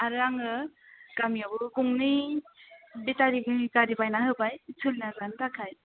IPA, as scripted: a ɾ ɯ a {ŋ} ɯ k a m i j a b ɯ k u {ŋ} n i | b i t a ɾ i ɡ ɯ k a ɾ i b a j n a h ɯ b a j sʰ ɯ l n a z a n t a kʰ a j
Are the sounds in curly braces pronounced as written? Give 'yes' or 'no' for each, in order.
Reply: yes, yes

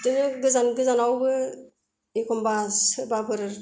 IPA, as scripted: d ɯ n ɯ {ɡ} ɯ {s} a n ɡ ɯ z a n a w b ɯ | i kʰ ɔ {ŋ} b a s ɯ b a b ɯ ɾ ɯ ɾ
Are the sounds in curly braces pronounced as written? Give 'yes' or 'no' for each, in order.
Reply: yes, no, no

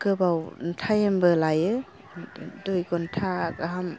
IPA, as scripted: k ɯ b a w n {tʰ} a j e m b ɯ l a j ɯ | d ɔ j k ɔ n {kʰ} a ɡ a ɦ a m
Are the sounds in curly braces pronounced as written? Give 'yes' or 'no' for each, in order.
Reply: yes, no

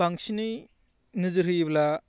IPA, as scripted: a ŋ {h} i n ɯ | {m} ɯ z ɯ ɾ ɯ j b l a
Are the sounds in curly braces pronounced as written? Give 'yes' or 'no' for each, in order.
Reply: no, no

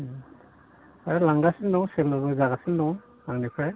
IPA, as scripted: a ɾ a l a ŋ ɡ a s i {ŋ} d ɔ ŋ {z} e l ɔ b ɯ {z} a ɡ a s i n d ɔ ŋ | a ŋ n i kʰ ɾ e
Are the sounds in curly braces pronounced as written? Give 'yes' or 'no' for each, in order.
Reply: no, no, yes

